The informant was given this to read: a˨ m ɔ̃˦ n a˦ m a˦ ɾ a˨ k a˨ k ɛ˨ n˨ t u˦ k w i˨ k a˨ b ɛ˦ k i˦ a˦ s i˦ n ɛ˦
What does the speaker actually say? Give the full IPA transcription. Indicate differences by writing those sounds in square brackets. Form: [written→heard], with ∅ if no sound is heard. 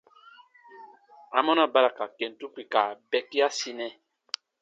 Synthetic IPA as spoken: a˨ m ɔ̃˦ n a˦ [m→b] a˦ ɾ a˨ k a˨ k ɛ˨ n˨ t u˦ k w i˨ k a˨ b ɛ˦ k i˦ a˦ s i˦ n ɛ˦